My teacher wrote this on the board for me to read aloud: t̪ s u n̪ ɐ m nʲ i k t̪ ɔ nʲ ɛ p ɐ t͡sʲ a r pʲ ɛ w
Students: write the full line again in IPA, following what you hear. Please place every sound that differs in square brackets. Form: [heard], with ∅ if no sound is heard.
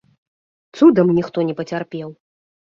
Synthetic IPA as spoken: t̪ s u [d̪] ɐ m nʲ i [x] t̪ ɔ nʲ ɛ p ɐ t͡sʲ a r pʲ ɛ w